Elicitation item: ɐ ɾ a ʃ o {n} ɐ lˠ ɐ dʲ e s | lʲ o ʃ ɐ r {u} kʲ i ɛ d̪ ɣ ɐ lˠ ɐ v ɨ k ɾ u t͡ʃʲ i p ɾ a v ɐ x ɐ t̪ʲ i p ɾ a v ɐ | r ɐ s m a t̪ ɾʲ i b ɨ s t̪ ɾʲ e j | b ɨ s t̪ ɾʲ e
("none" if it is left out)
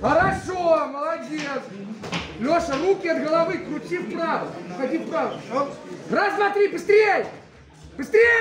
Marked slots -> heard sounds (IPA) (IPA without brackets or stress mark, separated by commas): m, u